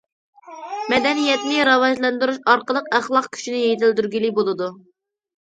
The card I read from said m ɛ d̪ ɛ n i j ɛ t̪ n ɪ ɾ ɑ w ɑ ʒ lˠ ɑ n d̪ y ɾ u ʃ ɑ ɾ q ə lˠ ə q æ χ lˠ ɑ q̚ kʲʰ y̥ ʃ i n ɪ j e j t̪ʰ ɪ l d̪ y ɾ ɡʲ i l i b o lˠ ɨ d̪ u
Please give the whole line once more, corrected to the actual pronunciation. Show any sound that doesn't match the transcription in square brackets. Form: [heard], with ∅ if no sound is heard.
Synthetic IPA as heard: m ɛ d̪ ɛ n i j ɛ t̪ n ɪ ɾ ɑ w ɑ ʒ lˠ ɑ n d̪ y ɾ u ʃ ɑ ɾ q ə lˠ ə q æ χ lˠ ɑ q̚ kʲʰ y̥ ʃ i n ɪ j e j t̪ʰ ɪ l d̪ y ɾ ɡʲ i l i b o lˠ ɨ d̪ u